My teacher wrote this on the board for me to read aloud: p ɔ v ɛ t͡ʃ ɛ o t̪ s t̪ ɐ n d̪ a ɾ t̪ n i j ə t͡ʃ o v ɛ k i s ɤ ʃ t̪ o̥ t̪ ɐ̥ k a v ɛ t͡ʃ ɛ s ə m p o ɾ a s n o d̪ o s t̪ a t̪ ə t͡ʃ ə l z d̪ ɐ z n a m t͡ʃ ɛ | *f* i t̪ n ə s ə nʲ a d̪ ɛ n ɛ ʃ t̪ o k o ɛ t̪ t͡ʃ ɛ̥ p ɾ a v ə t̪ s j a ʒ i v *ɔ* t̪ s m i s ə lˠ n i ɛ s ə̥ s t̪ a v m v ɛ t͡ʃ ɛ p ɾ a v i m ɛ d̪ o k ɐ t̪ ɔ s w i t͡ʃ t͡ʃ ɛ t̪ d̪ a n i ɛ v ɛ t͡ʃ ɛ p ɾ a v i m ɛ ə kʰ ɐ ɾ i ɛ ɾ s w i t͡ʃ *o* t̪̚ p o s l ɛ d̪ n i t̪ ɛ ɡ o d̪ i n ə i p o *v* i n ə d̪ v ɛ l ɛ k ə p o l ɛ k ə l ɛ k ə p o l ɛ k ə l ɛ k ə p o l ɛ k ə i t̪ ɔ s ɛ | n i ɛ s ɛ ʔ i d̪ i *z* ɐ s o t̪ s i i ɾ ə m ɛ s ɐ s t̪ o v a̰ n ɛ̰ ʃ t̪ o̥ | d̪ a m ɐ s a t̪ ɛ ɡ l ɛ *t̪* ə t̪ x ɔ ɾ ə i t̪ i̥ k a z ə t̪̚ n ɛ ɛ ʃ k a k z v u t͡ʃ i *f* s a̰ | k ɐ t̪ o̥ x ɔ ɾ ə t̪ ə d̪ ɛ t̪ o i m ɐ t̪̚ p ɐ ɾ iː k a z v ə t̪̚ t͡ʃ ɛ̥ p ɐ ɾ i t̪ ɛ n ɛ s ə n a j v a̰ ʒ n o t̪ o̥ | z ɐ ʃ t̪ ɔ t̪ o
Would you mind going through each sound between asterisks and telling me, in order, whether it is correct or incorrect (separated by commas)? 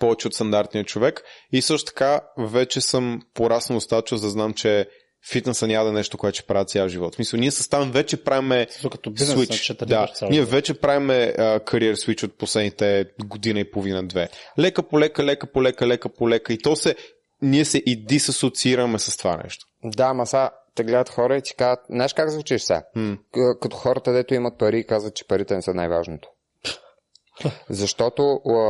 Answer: correct, correct, correct, correct, incorrect, incorrect, incorrect